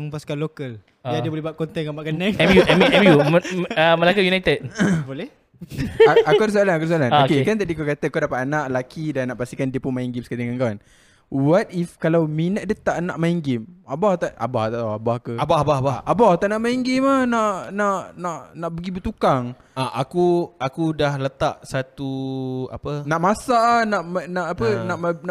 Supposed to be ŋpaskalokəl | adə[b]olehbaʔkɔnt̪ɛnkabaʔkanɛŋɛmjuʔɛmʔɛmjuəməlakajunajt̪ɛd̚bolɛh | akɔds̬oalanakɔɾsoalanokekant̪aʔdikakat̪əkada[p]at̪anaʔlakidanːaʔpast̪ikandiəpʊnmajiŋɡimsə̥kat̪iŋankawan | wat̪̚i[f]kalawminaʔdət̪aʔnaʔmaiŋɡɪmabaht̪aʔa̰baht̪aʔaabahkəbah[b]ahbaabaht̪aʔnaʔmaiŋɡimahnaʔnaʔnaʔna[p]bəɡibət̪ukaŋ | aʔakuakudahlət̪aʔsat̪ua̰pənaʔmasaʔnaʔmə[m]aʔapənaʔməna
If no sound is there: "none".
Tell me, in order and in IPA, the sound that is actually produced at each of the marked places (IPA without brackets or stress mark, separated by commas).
b, p, f, b, ʔ, n